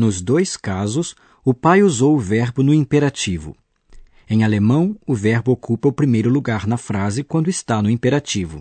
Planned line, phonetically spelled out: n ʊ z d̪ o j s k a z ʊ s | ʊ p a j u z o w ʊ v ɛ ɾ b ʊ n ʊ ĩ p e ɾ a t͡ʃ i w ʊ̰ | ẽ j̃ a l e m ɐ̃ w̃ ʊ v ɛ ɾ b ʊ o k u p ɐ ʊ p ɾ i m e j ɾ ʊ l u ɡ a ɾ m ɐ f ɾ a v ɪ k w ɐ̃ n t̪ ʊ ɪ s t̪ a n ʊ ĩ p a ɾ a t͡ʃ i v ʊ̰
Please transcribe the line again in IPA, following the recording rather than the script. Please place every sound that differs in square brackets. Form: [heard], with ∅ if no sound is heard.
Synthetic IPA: n ʊ z d̪ o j s k a z ʊ s | ʊ p a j u z o w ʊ v ɛ ɾ b ʊ n ʊ ĩ p e ɾ a t͡ʃ i [v] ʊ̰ | ẽ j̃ a l e m ɐ̃ w̃ ʊ v ɛ ɾ b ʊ o k u p ɐ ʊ p ɾ i m e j ɾ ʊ l u ɡ a ɾ [n] ɐ f ɾ a [z] ɪ k w ɐ̃ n [d̪] ʊ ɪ s t̪ a n ʊ ĩ p [e] ɾ a t͡ʃ i v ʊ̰